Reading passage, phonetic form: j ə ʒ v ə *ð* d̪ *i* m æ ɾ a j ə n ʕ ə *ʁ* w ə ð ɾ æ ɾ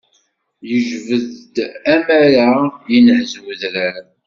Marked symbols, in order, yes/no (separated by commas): yes, no, no